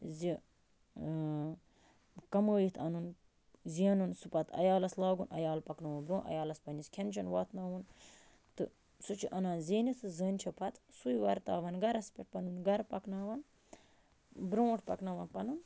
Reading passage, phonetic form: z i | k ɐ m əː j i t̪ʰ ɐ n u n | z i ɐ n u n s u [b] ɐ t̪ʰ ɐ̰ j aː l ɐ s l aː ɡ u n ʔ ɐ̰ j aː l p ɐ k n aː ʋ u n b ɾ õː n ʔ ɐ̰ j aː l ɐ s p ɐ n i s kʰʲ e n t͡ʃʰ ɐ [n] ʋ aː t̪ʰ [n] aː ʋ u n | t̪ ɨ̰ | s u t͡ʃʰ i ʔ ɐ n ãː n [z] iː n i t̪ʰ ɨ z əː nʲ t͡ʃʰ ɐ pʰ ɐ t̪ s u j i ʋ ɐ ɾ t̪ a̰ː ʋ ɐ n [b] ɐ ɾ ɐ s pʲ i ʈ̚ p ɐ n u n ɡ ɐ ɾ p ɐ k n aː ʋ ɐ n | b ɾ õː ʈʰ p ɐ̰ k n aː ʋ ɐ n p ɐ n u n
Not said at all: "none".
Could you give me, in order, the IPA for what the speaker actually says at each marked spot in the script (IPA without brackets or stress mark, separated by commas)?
p, n, n, z, ɡ